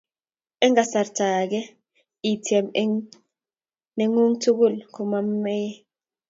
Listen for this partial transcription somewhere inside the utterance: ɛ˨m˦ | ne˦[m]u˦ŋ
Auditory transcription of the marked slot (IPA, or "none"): ŋ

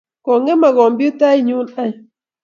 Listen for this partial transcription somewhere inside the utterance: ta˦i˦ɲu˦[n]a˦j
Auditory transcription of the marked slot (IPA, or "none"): n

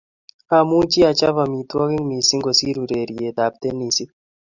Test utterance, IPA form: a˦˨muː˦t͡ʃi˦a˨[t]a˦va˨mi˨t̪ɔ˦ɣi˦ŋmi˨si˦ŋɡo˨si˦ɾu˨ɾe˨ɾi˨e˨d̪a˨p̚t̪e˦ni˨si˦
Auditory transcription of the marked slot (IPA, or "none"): t͡ʃ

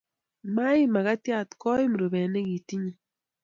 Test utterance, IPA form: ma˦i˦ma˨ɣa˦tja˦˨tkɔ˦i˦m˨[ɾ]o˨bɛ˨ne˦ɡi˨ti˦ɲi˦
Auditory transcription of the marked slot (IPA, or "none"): ɾ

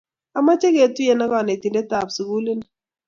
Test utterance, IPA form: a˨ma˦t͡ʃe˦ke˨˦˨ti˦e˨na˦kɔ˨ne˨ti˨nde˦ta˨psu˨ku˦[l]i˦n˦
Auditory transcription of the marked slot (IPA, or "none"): l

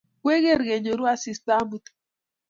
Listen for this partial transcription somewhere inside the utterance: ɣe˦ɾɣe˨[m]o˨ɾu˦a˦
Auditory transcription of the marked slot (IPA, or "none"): ɲ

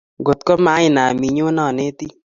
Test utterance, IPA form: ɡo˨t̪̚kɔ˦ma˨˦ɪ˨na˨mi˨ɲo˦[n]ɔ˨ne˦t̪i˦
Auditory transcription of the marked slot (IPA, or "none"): n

